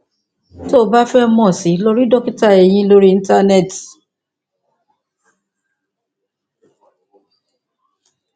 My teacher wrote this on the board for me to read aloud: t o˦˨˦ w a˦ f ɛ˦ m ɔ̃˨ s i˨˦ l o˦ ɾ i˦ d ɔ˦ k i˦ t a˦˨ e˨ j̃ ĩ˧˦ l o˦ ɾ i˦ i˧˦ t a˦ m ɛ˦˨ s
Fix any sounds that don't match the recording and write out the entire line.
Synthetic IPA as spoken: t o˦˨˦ b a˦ f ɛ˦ m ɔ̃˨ s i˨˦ l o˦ ɾ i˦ d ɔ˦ k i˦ t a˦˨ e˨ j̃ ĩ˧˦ l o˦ ɾ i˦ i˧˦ t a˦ n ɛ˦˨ t